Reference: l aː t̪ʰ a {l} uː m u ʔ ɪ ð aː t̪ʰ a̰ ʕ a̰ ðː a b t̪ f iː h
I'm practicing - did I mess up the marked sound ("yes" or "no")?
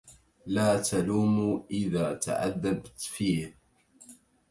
no